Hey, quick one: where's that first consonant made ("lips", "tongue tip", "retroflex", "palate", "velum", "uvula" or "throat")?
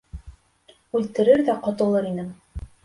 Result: tongue tip